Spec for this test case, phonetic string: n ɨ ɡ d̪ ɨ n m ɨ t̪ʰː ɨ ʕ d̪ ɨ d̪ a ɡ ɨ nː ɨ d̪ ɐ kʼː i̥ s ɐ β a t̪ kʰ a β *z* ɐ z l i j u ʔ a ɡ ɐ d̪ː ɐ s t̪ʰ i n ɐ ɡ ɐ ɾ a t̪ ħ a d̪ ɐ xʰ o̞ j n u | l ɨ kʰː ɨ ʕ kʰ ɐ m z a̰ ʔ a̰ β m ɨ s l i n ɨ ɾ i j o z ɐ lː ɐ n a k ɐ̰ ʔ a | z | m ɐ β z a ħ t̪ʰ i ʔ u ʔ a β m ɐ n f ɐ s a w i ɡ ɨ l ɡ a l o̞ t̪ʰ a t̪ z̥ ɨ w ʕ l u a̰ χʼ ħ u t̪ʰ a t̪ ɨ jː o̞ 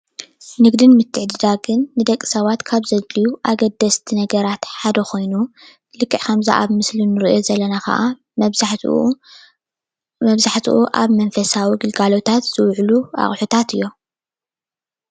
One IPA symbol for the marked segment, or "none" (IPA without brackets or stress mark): z